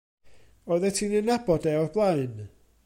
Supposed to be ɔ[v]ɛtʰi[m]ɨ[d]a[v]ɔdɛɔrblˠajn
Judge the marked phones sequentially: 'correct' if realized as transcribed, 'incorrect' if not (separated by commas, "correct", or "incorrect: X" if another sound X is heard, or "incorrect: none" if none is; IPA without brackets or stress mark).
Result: incorrect: ð, incorrect: n, incorrect: n, incorrect: b